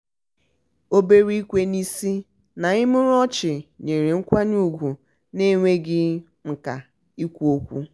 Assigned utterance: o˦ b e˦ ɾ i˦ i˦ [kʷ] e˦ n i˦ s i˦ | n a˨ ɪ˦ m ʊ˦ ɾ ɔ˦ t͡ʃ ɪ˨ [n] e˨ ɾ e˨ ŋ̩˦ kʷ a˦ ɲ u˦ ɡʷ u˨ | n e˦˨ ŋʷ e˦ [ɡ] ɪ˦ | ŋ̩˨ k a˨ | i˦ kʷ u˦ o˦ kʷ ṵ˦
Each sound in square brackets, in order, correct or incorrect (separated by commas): correct, incorrect, correct